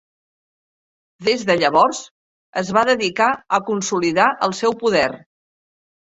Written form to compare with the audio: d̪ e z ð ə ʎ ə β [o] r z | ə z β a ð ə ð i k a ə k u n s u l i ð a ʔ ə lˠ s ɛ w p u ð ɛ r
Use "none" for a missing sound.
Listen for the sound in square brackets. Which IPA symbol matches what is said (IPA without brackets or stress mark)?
ɔ